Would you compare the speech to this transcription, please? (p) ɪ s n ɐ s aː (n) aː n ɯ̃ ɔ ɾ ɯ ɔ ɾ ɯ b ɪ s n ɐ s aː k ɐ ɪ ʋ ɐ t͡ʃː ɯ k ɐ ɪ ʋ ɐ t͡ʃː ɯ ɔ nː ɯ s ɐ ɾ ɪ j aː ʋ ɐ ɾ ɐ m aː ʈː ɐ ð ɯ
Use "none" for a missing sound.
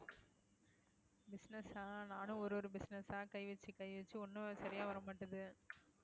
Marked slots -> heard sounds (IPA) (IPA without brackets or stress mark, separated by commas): b, n